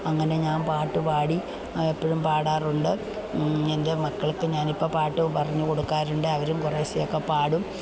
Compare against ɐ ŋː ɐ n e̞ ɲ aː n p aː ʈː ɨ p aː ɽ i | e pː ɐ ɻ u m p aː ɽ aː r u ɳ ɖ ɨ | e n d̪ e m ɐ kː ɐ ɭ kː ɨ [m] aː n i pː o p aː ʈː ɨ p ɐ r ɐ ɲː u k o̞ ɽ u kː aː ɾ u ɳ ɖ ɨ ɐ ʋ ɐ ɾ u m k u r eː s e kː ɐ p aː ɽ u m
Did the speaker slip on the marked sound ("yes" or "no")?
yes